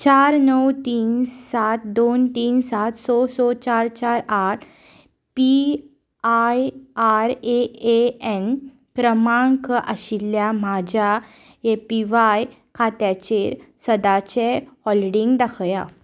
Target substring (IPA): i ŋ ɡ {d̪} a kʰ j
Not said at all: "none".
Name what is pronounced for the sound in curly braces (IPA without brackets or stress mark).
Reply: d̪